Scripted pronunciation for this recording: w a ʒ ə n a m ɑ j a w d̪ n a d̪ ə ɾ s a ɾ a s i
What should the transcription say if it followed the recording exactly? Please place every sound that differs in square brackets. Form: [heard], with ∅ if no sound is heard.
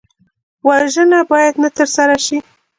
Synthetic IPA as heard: w a ʒ ə n a [b] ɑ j a [∅] d̪ n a [t̪] ə ɾ s a ɾ a [ʃ] i